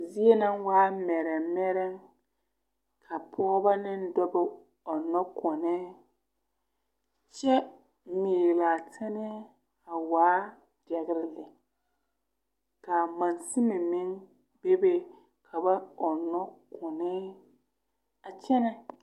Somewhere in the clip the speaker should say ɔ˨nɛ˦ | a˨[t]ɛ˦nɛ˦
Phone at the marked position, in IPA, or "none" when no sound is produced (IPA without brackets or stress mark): t͡ʃ